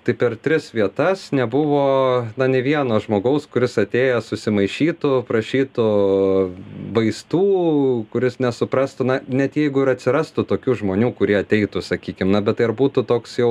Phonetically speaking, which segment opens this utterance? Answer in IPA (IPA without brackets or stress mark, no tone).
t̪